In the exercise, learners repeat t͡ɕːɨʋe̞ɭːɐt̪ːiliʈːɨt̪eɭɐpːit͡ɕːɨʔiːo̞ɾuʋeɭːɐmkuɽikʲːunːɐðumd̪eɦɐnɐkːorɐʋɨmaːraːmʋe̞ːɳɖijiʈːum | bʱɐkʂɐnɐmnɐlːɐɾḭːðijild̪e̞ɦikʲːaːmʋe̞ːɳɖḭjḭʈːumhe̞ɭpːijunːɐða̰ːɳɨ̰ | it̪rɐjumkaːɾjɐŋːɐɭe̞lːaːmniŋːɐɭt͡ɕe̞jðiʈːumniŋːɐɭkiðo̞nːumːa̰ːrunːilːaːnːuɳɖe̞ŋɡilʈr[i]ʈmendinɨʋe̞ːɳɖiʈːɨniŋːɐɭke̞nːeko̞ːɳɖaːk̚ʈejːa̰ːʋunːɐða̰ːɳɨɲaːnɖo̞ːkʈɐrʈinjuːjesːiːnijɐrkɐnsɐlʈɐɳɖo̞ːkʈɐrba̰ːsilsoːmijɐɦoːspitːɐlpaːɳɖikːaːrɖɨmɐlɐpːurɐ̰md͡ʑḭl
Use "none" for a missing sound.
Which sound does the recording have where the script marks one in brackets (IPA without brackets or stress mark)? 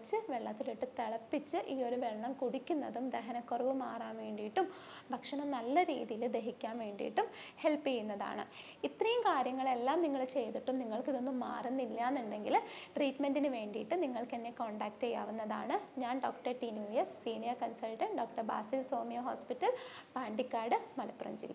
iː